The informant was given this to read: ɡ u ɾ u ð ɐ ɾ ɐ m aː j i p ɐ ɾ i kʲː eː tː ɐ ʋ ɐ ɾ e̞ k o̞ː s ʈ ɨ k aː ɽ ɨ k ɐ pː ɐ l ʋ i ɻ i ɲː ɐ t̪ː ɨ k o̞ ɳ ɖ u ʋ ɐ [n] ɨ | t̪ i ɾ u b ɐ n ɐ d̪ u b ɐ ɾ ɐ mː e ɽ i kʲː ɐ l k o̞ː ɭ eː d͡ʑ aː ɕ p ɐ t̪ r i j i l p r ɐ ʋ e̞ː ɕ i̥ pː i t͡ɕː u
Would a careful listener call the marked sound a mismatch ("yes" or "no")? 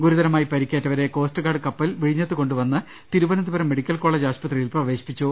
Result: yes